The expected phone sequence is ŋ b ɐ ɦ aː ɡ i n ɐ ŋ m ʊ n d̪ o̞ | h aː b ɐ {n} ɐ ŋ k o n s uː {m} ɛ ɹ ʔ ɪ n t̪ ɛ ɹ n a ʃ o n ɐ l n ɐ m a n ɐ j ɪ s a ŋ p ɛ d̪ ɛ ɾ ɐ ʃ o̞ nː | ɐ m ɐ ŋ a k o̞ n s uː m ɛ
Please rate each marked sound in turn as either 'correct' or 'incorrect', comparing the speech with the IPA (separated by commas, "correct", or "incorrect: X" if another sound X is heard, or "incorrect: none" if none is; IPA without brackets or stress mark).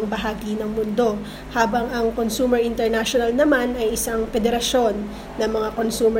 incorrect: ŋ, correct